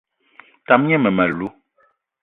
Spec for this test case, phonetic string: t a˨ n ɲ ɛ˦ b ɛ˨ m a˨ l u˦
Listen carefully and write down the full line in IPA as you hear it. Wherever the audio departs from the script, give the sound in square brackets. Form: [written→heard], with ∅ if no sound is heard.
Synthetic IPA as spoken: t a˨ [n→m] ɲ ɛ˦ [b→m] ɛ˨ m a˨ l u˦